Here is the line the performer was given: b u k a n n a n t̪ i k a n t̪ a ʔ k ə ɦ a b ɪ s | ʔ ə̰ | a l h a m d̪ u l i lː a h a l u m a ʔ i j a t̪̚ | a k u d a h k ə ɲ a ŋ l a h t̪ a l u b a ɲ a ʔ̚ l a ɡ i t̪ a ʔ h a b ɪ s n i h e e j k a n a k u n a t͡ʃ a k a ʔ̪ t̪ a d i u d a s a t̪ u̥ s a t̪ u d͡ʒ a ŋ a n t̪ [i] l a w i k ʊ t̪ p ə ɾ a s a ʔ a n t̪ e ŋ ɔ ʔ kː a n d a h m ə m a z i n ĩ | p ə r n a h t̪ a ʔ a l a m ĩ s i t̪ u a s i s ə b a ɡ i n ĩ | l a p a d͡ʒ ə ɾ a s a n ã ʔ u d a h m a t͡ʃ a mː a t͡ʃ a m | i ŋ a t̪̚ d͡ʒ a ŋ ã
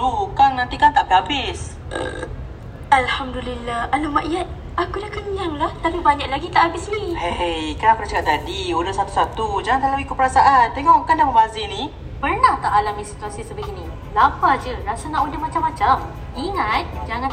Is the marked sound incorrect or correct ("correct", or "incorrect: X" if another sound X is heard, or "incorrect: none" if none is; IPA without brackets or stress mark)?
incorrect: a